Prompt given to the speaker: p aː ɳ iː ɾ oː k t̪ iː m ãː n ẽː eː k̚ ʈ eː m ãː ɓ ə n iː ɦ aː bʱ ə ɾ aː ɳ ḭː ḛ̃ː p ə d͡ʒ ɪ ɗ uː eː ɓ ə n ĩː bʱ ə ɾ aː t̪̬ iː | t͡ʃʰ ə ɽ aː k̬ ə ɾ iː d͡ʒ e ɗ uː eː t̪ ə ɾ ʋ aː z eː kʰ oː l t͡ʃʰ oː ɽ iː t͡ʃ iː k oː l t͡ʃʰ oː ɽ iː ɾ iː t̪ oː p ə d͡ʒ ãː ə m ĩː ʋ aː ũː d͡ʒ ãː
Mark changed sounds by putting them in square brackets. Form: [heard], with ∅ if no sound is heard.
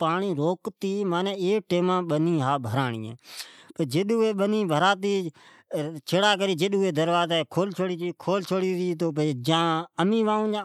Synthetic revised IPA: p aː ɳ iː ɾ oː k t̪ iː m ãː n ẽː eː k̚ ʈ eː m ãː ɓ ə n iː ɦ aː bʱ ə ɾ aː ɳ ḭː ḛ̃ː p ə d͡ʒ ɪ ɗ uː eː ɓ ə n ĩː bʱ ə ɾ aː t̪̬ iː | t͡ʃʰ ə ɽ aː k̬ ə ɾ iː d͡ʒ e ɗ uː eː [d̪] ə ɾ ʋ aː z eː kʰ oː l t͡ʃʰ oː ɽ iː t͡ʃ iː [kʰ] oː l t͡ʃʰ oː ɽ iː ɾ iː t̪ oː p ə d͡ʒ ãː ə m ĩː ʋ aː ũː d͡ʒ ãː